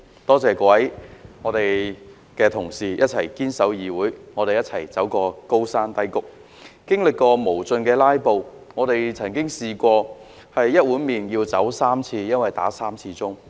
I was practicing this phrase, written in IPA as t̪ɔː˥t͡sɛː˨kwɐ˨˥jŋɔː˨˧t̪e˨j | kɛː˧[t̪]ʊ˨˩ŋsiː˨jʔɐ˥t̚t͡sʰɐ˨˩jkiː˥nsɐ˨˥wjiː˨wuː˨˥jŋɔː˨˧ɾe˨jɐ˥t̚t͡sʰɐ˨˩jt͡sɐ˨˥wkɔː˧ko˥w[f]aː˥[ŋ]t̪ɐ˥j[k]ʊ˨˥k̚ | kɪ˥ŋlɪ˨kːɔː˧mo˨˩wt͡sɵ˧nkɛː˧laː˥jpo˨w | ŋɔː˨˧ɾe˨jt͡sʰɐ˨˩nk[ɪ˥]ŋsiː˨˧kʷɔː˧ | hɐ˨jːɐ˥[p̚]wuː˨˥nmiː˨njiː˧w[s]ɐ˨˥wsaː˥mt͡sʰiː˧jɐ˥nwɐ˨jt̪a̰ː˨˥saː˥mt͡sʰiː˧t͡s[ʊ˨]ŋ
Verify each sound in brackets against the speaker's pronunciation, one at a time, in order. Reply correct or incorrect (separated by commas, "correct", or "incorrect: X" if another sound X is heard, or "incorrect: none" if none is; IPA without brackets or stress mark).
incorrect: t̪ʰ, incorrect: s, incorrect: n, correct, correct, incorrect: t̚, incorrect: t͡s, incorrect: ʊ˥